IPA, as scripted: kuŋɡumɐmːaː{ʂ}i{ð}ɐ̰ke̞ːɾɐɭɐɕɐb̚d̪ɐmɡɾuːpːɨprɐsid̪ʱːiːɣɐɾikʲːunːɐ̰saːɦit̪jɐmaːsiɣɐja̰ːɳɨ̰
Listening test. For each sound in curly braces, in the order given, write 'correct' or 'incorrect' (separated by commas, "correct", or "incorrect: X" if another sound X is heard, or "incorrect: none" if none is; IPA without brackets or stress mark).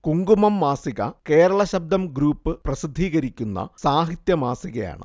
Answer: incorrect: s, incorrect: ɣ